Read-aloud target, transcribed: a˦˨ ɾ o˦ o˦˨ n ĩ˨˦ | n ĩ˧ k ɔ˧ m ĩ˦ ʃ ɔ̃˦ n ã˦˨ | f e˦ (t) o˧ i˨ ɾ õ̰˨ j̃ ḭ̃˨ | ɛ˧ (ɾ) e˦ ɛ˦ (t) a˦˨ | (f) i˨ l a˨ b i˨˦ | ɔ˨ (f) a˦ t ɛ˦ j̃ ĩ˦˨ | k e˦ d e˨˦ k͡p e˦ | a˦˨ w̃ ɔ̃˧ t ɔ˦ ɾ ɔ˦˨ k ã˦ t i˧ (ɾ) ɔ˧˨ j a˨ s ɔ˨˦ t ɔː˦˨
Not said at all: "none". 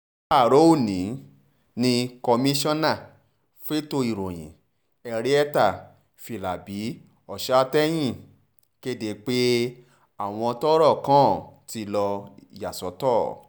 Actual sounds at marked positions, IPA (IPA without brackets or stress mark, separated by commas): t, ɾ, t, f, ʃ, l